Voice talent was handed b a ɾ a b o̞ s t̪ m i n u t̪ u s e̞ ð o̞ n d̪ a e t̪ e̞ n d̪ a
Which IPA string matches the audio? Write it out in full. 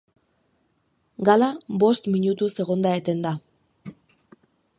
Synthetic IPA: ɡ a l a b o̞ s t̪ m i ɲ u t̪ u s e̞ ɣ o̞ n d̪ a e t̪ e̞ n d̪ a